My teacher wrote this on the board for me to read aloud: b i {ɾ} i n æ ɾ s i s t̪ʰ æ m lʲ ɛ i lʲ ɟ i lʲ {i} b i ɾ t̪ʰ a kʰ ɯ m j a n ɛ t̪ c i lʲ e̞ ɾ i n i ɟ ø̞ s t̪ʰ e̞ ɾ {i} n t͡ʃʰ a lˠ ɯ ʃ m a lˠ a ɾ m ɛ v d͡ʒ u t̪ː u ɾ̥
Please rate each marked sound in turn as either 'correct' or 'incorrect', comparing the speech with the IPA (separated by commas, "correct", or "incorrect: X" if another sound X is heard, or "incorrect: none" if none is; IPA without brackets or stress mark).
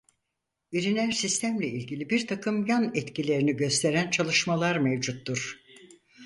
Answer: correct, correct, incorrect: æ